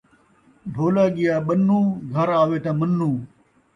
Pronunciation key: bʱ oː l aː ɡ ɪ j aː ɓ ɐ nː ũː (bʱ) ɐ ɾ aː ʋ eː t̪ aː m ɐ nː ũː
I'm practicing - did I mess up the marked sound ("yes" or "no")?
yes